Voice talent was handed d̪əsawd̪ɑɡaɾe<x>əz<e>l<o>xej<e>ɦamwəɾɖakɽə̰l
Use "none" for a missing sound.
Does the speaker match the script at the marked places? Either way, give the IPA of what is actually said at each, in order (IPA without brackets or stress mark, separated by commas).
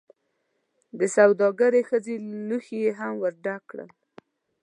x, e, u, e